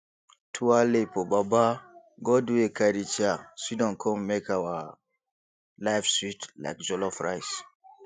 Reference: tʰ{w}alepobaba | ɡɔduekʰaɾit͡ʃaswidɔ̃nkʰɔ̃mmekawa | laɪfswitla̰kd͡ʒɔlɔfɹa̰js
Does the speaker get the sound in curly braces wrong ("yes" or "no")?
yes